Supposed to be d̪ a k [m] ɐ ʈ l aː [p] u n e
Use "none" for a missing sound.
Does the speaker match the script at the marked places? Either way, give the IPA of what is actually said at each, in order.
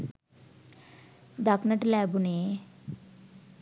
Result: n, b

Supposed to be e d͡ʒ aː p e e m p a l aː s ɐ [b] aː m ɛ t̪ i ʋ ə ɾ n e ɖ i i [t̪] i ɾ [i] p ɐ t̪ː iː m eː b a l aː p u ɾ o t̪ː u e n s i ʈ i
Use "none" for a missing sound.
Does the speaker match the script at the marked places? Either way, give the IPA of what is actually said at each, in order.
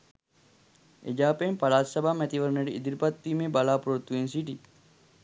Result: b, d̪, i

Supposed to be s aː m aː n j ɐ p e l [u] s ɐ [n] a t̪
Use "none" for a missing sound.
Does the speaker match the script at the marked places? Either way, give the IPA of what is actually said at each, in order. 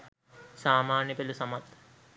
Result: u, m

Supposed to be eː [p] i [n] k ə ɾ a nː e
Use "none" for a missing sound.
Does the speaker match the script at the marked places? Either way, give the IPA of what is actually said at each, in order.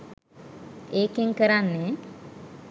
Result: k, ŋ

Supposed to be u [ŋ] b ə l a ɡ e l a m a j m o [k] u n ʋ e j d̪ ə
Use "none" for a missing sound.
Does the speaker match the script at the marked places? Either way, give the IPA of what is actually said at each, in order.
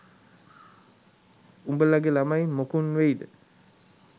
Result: m, k

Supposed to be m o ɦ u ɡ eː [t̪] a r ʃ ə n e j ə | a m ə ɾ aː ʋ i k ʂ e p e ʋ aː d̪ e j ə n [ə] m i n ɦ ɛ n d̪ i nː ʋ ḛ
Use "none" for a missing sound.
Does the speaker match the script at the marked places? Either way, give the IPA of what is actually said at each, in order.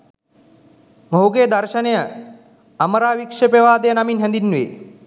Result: d̪, a

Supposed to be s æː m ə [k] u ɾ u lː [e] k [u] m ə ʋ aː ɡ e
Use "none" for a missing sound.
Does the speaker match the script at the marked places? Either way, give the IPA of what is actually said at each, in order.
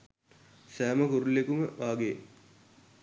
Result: k, e, u

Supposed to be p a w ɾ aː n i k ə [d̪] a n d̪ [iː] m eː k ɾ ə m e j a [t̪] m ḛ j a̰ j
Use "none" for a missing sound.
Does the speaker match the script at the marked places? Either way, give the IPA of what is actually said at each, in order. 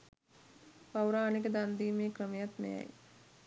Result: d̪, iː, t̪

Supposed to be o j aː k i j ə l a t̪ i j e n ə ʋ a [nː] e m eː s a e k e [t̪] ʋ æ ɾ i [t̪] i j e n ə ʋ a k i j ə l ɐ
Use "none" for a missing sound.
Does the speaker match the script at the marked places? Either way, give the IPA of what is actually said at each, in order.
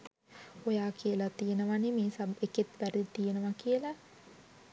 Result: n, t̪, t̪

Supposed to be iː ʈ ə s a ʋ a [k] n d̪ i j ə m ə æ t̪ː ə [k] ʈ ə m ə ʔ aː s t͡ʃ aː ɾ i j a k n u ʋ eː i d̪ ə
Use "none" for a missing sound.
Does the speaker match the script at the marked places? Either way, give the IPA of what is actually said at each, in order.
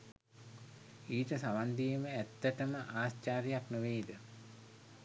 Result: none, none

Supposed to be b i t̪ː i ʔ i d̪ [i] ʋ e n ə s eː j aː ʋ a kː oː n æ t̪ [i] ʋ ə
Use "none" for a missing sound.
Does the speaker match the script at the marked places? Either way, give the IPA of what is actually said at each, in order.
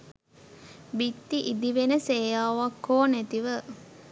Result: i, i

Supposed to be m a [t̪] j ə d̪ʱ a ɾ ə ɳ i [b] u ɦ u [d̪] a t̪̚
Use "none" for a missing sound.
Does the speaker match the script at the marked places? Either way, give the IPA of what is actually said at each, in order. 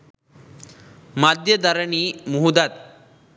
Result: d̪, m, d̪

